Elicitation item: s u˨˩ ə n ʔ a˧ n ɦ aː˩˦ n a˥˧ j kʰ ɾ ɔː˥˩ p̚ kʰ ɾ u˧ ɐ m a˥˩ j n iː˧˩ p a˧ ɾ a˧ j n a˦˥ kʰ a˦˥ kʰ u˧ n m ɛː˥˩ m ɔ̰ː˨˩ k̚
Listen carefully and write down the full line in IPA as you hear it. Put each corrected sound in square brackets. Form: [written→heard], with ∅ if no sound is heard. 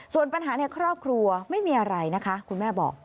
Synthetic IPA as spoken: s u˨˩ ə n [ʔ→p] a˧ n ɦ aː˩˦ n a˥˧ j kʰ ɾ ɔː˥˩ p̚ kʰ ɾ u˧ ɐ m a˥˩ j [n→m] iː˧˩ [p→ʔ] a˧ ɾ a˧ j n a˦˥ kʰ a˦˥ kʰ u˧ n m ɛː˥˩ [m→b] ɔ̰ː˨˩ k̚